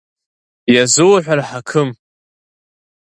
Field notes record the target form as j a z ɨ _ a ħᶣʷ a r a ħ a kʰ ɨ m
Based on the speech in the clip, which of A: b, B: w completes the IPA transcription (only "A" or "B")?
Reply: B